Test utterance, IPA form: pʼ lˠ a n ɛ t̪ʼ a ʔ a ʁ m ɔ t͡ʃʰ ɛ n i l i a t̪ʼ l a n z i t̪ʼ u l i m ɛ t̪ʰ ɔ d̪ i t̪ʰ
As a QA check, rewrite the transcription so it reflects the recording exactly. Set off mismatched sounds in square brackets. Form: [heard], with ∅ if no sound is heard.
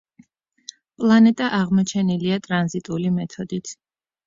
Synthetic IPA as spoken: pʼ lˠ a n ɛ t̪ʼ a ʔ a ʁ m ɔ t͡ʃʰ ɛ n i l i a t̪ʼ [ɾ] a n z i t̪ʼ u l i m ɛ t̪ʰ ɔ d̪ i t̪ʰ